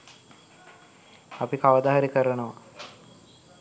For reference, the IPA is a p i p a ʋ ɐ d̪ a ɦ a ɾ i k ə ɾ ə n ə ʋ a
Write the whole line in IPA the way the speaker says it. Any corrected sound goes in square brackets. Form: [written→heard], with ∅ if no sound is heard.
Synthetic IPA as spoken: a p i [p→k] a ʋ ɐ d̪ a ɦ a ɾ i k ə ɾ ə n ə ʋ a